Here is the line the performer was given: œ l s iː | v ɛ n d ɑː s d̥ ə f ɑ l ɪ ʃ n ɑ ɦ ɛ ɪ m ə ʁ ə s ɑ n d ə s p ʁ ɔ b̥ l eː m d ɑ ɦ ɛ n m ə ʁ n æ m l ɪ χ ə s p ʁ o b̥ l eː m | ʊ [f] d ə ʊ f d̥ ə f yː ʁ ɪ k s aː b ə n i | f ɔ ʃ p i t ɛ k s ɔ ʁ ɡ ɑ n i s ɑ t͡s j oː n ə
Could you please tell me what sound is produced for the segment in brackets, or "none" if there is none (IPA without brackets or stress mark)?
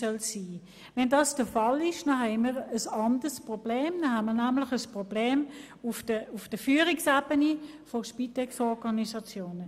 f